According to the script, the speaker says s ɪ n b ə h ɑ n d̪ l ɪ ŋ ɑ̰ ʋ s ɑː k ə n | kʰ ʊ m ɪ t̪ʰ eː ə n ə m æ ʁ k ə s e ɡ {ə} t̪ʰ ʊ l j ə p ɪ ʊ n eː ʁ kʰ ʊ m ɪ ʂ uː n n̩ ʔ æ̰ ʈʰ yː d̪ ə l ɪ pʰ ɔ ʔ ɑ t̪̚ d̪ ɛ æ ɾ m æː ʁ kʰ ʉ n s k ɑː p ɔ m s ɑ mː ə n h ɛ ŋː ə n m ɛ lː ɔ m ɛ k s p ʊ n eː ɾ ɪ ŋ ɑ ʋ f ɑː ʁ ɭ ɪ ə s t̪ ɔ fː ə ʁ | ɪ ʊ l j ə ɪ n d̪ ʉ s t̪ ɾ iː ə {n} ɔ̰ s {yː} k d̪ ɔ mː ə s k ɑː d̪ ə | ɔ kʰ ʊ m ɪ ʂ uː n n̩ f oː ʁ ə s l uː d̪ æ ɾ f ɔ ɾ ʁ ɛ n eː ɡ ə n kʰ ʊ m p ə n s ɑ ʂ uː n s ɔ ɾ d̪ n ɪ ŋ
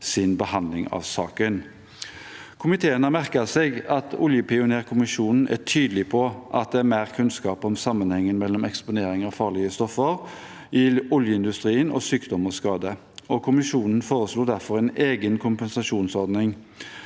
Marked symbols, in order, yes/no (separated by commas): no, yes, yes